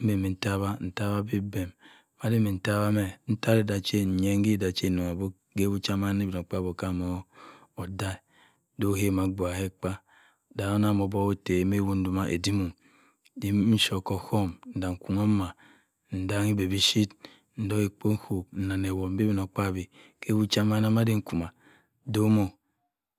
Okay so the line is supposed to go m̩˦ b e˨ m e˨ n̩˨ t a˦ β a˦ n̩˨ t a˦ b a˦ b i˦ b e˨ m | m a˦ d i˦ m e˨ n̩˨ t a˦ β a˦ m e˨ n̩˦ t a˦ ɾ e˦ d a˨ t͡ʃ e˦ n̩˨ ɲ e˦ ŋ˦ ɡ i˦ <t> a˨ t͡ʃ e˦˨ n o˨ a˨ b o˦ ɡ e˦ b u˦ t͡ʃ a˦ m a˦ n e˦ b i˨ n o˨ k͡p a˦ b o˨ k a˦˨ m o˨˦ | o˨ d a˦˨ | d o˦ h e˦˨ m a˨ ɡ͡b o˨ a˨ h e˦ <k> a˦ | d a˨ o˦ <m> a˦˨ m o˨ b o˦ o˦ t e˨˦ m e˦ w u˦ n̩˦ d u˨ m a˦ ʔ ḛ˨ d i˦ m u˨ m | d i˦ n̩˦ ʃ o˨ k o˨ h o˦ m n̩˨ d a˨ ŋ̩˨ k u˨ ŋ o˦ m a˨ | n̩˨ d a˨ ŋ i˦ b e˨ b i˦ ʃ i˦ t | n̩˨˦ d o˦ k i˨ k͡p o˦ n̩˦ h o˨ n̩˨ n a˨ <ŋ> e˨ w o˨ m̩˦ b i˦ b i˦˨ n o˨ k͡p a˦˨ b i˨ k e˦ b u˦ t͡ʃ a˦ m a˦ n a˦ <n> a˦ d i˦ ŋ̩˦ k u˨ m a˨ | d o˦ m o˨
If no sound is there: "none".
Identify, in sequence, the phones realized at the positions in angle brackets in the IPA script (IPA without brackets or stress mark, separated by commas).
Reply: d, k͡p, n, n, m